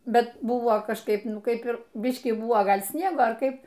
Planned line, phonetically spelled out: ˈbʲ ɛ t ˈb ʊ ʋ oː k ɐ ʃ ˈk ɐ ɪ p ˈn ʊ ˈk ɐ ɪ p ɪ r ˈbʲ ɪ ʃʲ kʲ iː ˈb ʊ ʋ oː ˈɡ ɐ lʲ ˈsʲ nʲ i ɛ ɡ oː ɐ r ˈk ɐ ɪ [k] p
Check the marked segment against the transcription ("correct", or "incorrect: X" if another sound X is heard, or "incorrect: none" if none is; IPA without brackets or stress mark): incorrect: none